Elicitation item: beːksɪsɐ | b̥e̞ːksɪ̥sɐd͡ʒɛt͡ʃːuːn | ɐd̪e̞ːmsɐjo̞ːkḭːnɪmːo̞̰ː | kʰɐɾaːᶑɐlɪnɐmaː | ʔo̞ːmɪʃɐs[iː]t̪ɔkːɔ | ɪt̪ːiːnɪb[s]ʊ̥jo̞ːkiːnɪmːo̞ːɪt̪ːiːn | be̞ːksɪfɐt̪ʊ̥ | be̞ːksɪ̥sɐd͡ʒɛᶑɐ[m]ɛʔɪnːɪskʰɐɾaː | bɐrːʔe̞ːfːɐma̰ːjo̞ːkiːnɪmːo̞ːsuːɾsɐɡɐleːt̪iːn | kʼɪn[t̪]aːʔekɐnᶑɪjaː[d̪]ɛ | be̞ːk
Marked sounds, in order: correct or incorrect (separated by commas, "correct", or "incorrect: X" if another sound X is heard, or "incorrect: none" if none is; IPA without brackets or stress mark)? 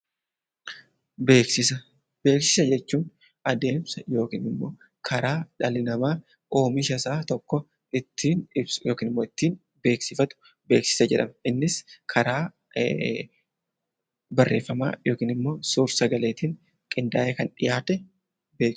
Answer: incorrect: aː, correct, correct, incorrect: d̪, incorrect: t̪